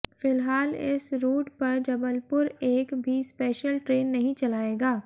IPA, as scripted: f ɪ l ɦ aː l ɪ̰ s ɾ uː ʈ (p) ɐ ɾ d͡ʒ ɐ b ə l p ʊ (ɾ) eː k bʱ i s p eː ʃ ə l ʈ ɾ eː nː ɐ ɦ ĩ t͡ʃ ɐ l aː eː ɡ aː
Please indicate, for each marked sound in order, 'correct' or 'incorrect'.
correct, correct

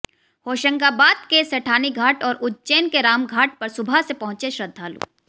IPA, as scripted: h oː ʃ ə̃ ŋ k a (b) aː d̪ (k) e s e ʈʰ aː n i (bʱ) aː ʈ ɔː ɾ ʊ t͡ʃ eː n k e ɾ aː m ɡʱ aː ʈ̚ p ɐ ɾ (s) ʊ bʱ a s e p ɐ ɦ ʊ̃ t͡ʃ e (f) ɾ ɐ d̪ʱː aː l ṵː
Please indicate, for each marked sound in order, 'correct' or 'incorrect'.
correct, correct, incorrect: ɡʱ, correct, incorrect: ʃ

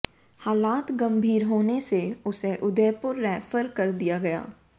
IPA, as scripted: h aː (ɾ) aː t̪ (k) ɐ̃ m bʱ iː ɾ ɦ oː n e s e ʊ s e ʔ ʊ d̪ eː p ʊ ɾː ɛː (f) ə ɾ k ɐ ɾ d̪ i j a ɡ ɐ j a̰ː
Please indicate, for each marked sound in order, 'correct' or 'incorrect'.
incorrect: l, incorrect: ɡ, correct

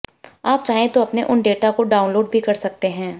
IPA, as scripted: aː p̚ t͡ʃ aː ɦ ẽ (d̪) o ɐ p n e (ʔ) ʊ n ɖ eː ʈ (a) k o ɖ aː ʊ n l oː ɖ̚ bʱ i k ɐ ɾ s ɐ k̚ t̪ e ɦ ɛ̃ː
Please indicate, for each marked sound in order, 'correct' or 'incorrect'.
incorrect: t̪, correct, correct

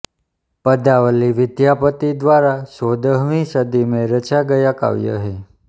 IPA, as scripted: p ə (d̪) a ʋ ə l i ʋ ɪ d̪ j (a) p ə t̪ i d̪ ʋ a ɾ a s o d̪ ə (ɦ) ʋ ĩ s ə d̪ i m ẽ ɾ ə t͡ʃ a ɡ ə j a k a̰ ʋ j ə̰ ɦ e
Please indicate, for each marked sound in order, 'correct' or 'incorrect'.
correct, correct, correct

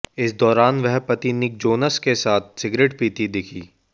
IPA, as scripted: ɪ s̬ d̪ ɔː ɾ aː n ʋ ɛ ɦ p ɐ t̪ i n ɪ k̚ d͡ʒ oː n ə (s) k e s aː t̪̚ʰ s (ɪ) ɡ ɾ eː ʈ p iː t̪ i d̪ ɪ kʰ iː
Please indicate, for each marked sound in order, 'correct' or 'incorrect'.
correct, correct

